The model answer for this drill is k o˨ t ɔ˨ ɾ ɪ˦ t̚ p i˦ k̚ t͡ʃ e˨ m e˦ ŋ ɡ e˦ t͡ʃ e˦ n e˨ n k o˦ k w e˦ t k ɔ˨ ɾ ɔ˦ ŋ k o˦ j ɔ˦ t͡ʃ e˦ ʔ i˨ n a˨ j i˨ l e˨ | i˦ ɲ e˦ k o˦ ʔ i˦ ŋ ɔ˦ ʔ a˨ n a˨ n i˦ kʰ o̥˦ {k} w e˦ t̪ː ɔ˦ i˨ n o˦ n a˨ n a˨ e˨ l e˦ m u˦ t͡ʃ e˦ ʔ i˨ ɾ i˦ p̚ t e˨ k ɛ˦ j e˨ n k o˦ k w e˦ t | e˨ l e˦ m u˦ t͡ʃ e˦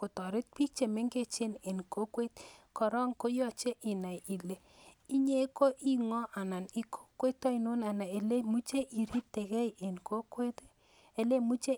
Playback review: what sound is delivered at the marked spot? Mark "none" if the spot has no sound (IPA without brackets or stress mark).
k